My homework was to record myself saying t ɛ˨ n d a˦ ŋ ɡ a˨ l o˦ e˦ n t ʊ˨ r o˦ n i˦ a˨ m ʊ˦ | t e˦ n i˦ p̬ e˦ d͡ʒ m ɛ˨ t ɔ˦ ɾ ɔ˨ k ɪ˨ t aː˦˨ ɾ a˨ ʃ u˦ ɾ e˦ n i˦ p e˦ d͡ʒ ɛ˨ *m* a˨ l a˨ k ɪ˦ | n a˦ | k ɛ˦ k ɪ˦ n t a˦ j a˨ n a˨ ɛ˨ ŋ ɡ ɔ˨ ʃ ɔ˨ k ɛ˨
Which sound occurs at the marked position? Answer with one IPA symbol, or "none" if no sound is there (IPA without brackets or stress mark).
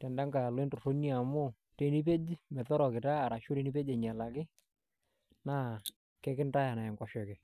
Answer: ɲ